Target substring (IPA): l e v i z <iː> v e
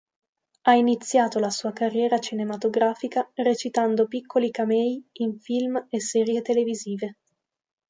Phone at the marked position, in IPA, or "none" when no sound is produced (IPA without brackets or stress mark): iː